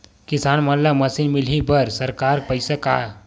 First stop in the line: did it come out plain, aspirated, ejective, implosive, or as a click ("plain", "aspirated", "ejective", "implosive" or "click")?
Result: plain